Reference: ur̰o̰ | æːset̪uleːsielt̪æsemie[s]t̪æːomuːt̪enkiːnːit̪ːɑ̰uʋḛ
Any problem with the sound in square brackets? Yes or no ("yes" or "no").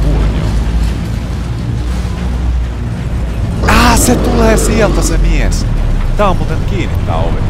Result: no